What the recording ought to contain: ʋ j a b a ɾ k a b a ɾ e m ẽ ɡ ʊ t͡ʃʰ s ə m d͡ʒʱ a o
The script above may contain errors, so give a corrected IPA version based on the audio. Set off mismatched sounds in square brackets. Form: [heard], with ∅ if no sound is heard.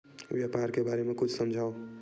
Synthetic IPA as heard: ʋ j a [p] a ɾ k [e] b a ɾ e m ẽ [k] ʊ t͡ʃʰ s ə m d͡ʒʱ a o

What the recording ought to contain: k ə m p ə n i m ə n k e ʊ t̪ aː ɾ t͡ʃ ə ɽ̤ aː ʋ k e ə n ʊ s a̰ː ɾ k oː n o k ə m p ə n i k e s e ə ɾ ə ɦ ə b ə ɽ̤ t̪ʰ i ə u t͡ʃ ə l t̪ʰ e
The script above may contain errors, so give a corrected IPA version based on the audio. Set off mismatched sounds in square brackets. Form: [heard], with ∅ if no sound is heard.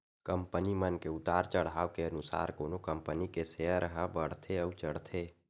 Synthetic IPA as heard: k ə m p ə n i m ə n k e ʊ t̪ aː ɾ t͡ʃ ə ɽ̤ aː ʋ k e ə n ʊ s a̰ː ɾ k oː n o k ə m p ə n i k e s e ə ɾ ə ɦ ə b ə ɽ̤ t̪ʰ [e] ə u t͡ʃ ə [ɽ] t̪ʰ e

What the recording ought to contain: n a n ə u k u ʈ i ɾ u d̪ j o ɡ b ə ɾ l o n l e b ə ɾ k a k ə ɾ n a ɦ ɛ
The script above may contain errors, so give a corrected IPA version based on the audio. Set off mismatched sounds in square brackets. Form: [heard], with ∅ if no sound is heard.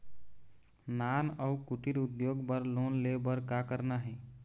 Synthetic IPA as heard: n a n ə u k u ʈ i ɾ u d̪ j o ɡ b ə ɾ l o n l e b ə ɾ k a k ə ɾ n a ɦ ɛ

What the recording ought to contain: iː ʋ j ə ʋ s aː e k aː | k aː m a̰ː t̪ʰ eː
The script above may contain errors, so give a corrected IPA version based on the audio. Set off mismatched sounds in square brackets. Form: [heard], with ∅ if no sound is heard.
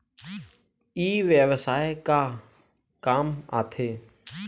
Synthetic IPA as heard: iː ʋ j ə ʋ s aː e k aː | k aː m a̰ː t̪ʰ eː

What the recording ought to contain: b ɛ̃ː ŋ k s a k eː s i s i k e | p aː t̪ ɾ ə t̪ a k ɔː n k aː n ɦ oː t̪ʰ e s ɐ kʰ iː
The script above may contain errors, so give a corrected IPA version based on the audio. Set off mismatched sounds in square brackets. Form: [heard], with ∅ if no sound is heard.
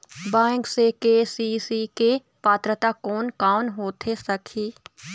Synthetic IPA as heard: b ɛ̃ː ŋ k s [e] k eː s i s i k e | p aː t̪ ɾ ə t̪ a k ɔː n k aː n ɦ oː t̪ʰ e s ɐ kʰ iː

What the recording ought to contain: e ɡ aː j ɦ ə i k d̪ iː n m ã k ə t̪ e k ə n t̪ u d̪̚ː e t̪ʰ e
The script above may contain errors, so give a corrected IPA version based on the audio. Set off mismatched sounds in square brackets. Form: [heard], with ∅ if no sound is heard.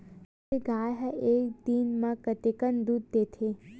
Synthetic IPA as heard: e ɡ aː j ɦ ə [e] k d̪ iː n m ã k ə t̪ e k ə n [d̪] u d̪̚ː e t̪ʰ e

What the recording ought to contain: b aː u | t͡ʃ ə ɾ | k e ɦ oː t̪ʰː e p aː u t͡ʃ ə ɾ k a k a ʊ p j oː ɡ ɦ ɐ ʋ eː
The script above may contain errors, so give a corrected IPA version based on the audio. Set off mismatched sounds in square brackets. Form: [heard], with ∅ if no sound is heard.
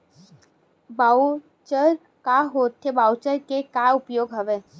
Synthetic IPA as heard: b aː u | t͡ʃ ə ɾ | k [a] ɦ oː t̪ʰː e [b] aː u t͡ʃ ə ɾ k [e] k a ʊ p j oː ɡ ɦ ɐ ʋ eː

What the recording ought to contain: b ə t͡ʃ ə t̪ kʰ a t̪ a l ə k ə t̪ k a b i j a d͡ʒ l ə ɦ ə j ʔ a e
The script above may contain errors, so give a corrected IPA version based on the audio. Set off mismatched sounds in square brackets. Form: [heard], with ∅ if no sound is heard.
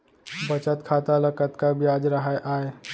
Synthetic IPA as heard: b ə t͡ʃ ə t̪ kʰ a t̪ a l ə k ə t̪ k a b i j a d͡ʒ [ɾ] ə ɦ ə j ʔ a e

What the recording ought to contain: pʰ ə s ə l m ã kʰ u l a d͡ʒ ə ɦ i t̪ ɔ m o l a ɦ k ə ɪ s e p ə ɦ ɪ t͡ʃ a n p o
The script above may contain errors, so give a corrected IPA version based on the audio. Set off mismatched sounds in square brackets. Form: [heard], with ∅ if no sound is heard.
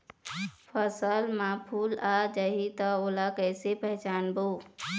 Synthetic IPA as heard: pʰ ə s ə l m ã [pʰ] u l a d͡ʒ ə ɦ i t̪ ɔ [∅] o l a [∅] k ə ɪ s e p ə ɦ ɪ t͡ʃ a n [b] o

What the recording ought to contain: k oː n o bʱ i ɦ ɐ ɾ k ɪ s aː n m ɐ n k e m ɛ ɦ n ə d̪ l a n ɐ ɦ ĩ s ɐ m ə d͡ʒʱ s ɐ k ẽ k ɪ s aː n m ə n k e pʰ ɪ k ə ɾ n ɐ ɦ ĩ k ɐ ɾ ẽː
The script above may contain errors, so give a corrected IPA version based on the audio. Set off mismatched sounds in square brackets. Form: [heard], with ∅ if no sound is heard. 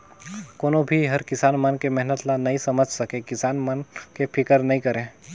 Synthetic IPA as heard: k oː n o bʱ i ɦ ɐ ɾ k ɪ s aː n m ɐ n k e m ɛ ɦ n ə [t̪] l a n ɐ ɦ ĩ s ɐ m ə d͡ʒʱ s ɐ k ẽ k ɪ s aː n m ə n k e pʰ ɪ k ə ɾ n ɐ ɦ ĩ k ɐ ɾ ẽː

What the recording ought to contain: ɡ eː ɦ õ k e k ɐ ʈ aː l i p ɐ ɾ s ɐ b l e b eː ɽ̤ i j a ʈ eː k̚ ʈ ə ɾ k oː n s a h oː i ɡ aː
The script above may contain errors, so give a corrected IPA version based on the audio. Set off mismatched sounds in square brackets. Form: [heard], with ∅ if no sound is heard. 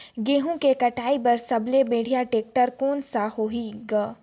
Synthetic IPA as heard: ɡ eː ɦ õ k e k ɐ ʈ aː [∅] i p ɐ ɾ s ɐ b l e b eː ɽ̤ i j a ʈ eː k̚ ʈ ə ɾ k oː n s a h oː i ɡ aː

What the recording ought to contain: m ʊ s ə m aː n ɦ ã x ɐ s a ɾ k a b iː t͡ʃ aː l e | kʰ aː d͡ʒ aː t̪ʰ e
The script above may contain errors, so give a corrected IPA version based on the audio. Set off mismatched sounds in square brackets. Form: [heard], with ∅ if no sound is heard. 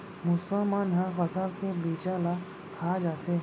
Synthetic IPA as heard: m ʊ s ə m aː n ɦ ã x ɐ s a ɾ k [e] b iː t͡ʃ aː l [a] | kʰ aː d͡ʒ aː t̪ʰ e

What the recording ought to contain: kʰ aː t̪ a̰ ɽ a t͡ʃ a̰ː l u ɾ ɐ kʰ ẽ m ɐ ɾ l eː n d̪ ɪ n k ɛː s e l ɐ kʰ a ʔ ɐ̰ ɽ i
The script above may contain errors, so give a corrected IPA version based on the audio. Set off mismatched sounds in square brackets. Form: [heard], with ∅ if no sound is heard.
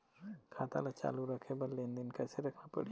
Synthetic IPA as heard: kʰ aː t̪ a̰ [l] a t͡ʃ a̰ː l u ɾ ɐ kʰ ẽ [b] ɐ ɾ l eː n d̪ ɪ n k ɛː s e [ɾ] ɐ kʰ a [p] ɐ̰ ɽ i

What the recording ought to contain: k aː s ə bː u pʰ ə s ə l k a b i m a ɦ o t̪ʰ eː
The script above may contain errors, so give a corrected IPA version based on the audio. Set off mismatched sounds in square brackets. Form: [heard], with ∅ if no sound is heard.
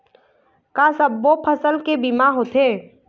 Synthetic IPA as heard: k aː s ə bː [o] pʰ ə s ə l k [e] b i m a ɦ o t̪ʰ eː

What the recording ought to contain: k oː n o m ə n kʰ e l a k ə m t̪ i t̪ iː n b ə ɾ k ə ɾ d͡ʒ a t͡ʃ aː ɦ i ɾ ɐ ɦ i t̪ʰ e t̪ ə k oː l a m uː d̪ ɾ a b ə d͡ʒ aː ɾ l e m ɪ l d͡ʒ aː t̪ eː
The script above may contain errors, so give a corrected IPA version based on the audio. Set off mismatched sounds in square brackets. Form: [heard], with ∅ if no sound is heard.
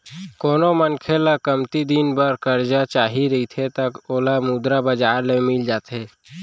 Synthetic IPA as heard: k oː n o m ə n kʰ e l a k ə m t̪ i [d̪] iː n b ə ɾ k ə ɾ d͡ʒ a t͡ʃ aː ɦ i ɾ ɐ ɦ i t̪ʰ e t̪ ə k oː l a m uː d̪ ɾ a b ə d͡ʒ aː ɾ l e m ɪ l d͡ʒ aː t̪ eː

